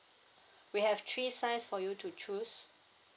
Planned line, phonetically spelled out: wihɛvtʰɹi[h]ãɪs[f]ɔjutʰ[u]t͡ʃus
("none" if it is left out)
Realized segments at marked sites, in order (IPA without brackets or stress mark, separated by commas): s, f, u